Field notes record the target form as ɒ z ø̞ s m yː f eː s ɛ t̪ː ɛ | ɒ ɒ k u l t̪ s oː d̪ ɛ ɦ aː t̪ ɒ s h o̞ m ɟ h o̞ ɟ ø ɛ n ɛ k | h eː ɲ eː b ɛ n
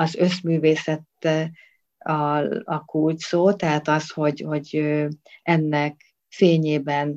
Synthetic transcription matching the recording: ɒ z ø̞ s m yː v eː s ɛ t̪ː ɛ | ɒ ɒ k u l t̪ s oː t̪ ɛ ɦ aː t̪ ɒ s h o̞ ɟ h o̞ ɟ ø ɛ nː ɛ k | f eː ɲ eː b ɛ n